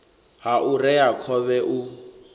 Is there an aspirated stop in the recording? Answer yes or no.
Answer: yes